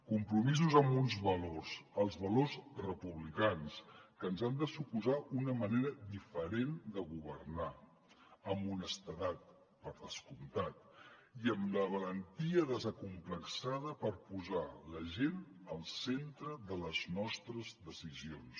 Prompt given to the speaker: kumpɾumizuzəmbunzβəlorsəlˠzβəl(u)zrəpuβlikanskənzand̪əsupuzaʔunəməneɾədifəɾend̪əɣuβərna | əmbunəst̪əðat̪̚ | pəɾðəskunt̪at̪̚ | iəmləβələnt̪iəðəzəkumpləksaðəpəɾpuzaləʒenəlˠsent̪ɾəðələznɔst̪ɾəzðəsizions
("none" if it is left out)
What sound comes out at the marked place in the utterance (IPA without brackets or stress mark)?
o